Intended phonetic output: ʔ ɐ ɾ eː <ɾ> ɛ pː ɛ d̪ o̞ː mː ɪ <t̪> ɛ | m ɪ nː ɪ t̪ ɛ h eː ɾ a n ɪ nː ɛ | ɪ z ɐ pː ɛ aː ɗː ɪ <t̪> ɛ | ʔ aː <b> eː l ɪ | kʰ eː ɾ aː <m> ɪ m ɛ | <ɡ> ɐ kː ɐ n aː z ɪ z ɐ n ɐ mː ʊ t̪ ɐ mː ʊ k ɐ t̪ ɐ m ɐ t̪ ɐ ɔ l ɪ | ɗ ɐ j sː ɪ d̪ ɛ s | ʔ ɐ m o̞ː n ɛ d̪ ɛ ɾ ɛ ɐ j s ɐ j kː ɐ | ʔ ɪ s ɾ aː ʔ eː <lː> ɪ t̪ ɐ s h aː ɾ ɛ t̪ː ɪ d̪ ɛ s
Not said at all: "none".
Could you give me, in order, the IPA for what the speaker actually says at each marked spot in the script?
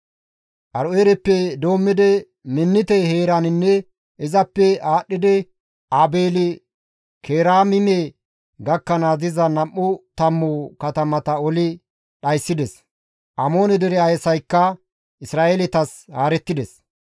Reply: ɾ, d̪, d̪, b, m, ɡ, l

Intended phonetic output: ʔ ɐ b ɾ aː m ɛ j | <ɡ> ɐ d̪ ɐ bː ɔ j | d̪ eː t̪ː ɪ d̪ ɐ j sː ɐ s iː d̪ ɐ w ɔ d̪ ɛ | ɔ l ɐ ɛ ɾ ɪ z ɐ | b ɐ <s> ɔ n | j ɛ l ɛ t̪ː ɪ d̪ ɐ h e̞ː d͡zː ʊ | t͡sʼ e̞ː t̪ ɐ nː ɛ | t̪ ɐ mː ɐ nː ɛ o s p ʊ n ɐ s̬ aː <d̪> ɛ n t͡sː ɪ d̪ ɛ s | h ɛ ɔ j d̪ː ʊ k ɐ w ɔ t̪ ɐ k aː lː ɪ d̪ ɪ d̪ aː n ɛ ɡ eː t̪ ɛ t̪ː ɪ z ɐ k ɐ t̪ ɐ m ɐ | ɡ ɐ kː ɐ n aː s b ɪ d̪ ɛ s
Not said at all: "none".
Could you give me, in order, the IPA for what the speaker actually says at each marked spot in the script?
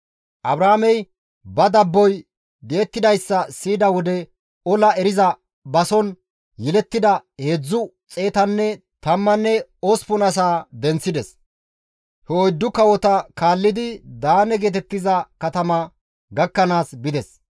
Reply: b, s, d̪

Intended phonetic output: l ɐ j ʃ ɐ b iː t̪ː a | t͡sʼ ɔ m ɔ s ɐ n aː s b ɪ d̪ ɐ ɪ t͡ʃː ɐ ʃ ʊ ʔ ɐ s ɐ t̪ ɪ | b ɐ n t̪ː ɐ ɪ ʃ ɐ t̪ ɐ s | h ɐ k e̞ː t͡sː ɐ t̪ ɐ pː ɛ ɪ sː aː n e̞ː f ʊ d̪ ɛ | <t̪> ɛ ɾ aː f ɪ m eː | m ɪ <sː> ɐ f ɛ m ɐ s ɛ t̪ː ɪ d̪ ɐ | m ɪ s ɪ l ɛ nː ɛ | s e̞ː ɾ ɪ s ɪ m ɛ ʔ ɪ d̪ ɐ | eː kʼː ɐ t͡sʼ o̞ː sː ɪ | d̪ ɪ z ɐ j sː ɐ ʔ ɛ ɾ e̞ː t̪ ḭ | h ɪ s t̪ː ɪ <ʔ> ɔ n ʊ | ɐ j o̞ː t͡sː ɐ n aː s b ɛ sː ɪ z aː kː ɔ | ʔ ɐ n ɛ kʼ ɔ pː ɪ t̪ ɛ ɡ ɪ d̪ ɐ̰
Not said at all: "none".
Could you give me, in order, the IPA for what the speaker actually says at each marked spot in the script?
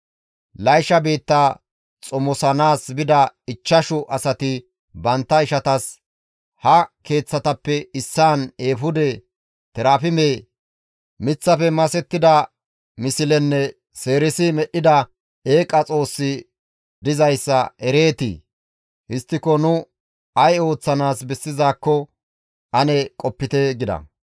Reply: t̪, t͡sː, k

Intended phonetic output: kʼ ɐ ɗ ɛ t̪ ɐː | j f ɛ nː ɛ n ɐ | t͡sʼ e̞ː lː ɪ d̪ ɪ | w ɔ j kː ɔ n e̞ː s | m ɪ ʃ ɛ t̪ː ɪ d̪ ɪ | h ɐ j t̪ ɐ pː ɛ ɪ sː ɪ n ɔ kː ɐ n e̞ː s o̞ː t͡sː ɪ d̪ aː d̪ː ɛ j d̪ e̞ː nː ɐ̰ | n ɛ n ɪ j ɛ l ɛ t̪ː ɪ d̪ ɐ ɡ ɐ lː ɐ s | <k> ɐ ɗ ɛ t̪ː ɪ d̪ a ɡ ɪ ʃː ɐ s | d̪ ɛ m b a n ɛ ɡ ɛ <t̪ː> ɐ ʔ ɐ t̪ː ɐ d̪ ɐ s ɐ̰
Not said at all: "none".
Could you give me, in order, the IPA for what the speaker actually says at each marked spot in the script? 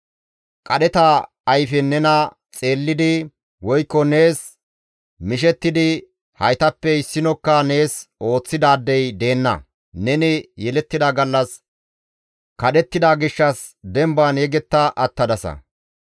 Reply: k, t̪ː

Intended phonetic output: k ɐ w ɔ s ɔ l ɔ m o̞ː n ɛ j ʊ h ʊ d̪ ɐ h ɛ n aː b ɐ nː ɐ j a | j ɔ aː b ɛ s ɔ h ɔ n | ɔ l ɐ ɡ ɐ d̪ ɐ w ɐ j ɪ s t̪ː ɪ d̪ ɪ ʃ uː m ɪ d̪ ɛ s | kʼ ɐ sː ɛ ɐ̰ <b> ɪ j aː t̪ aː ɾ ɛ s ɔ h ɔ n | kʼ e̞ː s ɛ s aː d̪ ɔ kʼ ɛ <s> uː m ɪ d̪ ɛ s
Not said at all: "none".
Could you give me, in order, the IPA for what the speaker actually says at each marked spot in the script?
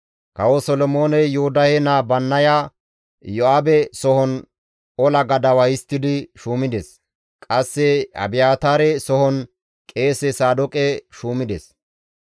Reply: b, ʃ

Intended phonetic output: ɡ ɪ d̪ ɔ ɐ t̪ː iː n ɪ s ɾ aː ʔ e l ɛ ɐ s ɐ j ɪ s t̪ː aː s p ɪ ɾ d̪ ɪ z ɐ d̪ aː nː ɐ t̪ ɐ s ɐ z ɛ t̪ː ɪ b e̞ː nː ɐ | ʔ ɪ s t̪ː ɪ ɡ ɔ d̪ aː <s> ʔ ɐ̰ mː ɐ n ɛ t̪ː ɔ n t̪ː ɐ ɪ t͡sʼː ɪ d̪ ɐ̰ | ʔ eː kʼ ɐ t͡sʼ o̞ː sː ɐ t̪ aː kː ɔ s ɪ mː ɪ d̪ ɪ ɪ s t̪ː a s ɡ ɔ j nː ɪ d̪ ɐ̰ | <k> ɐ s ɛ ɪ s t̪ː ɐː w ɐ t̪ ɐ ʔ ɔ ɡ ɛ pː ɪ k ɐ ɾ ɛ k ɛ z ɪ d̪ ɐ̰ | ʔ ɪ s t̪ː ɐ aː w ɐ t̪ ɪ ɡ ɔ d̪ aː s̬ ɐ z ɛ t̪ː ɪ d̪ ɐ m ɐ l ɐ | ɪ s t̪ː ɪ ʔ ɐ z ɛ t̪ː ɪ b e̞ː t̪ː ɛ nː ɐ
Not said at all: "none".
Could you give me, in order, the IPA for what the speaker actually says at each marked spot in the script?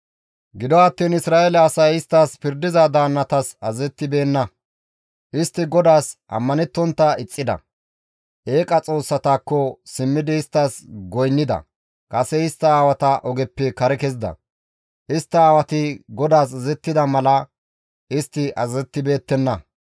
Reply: s, kʼ

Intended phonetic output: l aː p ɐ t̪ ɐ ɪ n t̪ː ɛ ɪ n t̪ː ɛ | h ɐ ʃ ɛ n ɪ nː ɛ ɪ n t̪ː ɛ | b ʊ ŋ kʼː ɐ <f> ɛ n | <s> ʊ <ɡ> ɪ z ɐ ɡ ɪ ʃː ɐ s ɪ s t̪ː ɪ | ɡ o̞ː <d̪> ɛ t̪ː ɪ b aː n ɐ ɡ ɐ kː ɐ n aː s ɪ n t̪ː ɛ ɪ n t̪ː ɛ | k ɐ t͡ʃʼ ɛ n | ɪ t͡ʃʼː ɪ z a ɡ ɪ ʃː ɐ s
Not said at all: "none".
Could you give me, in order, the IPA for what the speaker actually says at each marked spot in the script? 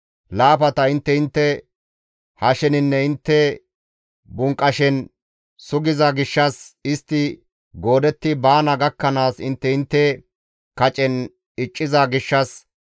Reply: ʃ, s, ɡ, d̪

